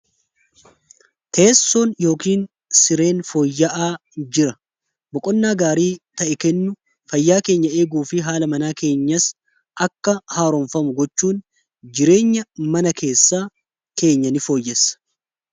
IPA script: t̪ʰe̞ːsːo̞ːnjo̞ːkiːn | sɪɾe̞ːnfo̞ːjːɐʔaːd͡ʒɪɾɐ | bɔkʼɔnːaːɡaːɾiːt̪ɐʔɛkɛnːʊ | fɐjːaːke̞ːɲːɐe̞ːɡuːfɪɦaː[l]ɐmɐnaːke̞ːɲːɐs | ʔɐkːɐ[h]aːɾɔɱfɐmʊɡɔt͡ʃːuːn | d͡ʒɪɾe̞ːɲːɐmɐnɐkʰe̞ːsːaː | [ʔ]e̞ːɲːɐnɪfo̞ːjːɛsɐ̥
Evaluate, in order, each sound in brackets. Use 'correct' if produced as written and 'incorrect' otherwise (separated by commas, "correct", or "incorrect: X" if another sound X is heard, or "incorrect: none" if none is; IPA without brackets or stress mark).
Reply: correct, correct, incorrect: k